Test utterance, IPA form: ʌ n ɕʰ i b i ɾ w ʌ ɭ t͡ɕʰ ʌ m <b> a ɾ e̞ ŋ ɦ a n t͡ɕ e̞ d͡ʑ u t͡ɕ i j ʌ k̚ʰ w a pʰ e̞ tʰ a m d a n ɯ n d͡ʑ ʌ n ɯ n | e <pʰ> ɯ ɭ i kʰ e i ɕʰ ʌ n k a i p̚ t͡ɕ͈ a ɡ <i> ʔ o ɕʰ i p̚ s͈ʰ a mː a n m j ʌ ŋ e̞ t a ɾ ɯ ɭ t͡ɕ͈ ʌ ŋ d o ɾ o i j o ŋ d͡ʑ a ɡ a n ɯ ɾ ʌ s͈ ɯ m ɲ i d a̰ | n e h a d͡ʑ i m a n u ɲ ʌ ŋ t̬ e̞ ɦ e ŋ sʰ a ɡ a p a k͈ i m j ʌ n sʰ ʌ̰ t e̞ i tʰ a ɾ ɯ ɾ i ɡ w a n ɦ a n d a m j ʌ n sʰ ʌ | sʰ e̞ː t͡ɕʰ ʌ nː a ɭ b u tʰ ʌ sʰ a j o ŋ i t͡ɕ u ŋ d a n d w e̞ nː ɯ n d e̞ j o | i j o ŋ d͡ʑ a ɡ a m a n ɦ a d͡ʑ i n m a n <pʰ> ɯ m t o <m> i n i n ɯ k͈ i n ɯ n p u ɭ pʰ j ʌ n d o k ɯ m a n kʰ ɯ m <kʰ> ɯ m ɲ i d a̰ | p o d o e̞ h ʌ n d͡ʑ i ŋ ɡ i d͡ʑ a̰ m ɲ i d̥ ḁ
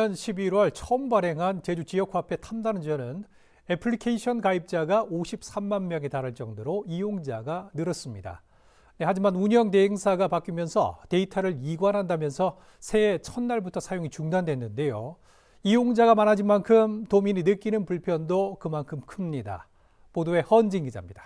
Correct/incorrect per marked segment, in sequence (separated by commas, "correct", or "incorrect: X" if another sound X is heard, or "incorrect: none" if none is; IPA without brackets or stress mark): correct, correct, incorrect: a, incorrect: kʰ, correct, correct